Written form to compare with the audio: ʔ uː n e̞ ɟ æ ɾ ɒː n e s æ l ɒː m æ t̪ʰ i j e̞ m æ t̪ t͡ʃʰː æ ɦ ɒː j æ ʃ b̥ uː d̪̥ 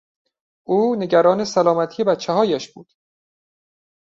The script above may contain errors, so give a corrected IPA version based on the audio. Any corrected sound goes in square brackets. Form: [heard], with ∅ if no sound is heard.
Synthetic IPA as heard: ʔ uː n e̞ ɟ æ ɾ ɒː n e s æ l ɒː m æ t̪ʰ i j e̞ [b] æ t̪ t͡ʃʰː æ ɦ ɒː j æ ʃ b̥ uː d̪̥